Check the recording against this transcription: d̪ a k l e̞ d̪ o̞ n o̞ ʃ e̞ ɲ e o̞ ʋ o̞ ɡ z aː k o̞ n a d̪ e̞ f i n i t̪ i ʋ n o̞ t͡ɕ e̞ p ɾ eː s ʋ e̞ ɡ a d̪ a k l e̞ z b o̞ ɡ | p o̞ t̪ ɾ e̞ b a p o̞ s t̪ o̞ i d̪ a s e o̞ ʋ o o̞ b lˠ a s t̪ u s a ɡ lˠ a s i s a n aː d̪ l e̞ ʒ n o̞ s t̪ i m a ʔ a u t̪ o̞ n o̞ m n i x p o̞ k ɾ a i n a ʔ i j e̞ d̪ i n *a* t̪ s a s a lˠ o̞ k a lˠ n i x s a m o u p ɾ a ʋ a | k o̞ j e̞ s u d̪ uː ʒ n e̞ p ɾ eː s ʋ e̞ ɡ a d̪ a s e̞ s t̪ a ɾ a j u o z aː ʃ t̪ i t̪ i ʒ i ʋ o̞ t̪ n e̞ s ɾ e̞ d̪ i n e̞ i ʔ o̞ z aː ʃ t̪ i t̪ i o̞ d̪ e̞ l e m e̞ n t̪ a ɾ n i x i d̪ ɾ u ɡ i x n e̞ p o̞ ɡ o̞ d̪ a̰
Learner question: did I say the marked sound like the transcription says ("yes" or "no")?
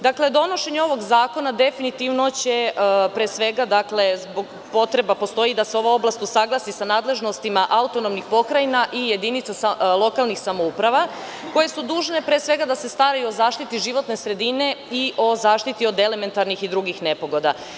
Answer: no